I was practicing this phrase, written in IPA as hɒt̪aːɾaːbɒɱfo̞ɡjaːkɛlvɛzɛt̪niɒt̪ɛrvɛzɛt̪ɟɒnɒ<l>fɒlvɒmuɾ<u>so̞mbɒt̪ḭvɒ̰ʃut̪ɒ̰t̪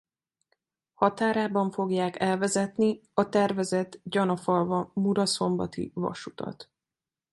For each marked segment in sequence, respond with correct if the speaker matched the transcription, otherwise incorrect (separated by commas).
incorrect, incorrect